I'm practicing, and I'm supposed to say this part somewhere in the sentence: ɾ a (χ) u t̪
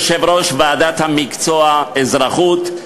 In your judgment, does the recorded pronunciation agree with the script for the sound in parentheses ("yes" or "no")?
yes